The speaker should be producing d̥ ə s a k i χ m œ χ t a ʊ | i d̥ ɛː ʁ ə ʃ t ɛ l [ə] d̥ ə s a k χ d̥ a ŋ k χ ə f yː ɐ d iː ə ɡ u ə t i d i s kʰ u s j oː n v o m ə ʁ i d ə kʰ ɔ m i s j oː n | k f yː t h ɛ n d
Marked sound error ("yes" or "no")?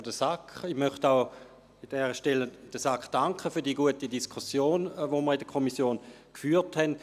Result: no